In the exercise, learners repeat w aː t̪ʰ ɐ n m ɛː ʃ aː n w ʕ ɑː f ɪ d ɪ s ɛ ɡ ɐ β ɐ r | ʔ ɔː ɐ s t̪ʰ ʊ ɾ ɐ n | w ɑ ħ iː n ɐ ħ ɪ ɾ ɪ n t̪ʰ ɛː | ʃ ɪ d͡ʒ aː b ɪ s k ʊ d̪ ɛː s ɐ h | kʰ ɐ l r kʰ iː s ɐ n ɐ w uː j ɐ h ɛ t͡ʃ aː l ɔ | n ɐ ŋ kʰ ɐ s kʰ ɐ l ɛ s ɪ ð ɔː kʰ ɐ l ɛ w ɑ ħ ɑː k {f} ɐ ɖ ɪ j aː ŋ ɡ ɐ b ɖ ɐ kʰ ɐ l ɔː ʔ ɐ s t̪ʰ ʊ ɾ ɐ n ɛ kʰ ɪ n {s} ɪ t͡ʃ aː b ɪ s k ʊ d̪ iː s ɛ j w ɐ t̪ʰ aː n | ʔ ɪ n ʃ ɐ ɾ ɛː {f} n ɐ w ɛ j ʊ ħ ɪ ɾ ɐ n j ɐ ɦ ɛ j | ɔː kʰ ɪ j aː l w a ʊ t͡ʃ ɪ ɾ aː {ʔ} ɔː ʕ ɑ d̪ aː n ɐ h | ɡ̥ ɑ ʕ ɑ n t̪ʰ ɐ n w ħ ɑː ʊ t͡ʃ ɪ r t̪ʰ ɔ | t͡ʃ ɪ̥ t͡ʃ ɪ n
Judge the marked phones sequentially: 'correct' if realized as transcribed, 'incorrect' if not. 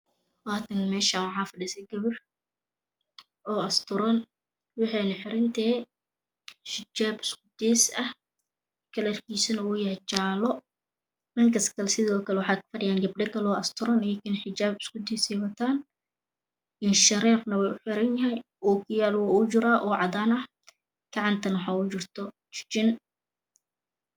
correct, incorrect: ħ, correct, correct

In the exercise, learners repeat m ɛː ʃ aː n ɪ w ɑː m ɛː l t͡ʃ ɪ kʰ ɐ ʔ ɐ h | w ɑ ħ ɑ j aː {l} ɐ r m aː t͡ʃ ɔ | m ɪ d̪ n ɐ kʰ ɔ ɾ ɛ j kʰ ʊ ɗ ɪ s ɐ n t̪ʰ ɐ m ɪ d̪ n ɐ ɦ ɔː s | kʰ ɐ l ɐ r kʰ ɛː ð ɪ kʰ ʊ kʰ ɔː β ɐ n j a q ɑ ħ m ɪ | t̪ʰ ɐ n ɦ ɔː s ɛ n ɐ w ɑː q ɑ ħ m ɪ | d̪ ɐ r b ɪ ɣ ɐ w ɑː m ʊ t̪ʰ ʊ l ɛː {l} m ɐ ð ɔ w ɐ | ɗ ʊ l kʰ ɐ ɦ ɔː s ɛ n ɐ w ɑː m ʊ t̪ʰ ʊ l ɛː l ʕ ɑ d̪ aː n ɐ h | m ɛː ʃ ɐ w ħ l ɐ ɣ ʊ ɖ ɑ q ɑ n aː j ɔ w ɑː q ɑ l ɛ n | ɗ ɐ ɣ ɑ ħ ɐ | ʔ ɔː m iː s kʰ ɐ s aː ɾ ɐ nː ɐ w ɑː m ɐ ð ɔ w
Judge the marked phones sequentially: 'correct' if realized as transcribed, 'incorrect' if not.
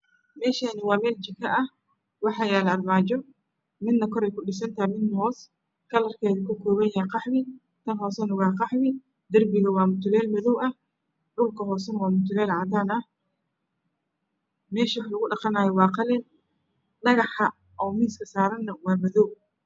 correct, correct

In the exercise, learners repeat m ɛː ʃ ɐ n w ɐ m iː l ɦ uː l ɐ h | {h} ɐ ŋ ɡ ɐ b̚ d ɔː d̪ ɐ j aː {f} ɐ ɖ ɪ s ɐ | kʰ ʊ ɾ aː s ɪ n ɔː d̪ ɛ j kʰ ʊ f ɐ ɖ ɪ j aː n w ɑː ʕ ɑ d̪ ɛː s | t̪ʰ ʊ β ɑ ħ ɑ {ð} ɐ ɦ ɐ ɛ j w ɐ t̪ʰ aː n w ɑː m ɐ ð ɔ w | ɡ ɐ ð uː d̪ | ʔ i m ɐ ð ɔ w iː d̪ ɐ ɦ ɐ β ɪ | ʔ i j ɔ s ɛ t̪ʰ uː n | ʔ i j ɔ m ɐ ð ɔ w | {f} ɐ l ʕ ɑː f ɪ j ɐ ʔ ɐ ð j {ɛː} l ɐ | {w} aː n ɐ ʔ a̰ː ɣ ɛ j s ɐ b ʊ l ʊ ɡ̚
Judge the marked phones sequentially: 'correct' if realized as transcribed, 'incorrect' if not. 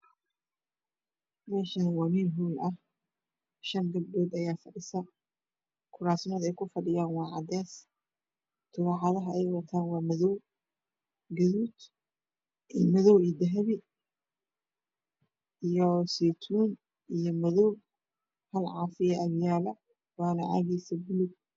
incorrect: ʃ, correct, correct, incorrect: h, incorrect: aː, correct

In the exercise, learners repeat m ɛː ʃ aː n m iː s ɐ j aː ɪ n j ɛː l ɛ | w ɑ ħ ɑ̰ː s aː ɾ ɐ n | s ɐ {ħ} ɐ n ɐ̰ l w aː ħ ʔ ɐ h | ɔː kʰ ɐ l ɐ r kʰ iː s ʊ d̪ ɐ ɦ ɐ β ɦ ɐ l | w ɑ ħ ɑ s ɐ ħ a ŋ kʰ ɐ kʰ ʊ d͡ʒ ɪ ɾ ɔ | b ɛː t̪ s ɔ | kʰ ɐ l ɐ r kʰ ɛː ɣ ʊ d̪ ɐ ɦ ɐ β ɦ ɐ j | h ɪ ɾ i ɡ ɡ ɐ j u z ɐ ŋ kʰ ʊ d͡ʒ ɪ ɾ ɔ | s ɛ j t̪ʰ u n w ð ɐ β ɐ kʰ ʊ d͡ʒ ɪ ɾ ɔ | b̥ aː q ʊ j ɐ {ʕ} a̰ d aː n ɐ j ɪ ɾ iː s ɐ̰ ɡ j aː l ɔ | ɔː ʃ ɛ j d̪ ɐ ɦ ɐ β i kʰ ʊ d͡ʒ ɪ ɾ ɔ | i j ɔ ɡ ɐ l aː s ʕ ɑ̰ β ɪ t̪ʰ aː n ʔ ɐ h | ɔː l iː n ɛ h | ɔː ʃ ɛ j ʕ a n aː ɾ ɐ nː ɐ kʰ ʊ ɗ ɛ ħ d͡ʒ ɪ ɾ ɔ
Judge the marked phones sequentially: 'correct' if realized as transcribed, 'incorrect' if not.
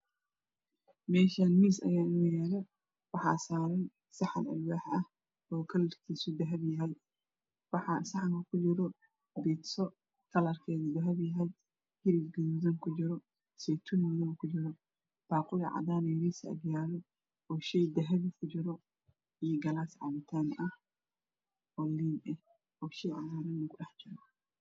correct, correct

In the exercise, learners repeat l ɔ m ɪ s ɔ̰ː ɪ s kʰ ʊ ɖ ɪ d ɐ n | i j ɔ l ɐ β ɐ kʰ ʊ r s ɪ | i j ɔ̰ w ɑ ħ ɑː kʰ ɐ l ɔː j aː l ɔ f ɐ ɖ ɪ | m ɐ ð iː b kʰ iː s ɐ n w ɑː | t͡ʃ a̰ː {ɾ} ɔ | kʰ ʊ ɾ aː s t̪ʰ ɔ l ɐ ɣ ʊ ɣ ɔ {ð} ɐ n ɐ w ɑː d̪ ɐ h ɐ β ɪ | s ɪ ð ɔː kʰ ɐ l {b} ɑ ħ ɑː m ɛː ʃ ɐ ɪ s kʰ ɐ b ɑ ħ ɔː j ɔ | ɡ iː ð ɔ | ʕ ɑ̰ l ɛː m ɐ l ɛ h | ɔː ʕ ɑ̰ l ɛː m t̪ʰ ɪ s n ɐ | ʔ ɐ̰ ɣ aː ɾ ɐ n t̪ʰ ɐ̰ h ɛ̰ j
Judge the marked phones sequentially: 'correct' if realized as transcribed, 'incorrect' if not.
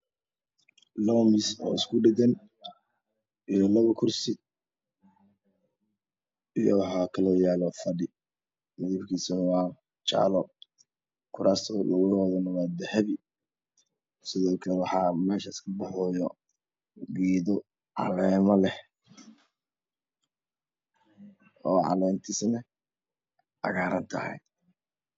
incorrect: l, correct, incorrect: w

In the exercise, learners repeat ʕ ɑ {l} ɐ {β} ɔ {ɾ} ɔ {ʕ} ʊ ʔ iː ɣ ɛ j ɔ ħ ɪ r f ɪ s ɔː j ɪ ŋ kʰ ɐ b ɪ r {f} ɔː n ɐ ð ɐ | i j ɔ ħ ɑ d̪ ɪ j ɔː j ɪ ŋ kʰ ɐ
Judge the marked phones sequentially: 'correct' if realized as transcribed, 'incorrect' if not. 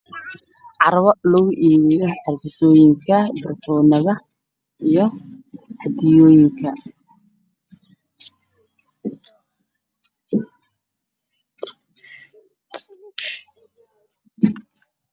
incorrect: ɾ, correct, incorrect: l, incorrect: ɣ, correct

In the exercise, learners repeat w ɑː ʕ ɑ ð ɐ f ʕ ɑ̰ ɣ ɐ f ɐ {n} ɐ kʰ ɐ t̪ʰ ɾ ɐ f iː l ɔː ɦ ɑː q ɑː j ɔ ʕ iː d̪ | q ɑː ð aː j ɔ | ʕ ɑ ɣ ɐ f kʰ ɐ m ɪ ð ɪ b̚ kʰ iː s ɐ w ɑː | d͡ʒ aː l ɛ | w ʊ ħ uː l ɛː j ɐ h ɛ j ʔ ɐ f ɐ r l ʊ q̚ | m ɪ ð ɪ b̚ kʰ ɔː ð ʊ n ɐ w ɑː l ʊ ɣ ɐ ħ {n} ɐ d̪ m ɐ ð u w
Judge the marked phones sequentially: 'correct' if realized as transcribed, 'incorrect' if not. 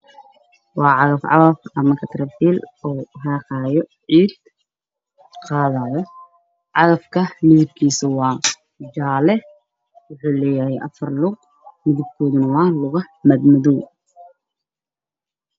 incorrect: m, incorrect: m

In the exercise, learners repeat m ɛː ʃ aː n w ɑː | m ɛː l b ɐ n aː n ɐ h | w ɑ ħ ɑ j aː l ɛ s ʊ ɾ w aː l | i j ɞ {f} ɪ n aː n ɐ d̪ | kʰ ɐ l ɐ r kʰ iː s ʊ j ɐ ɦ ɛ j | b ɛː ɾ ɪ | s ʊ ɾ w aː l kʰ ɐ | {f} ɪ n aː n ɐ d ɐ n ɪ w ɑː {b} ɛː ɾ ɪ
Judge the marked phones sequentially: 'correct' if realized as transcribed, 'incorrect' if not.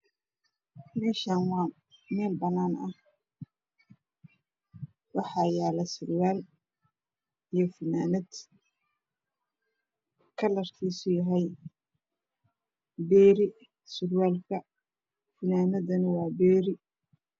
correct, correct, correct

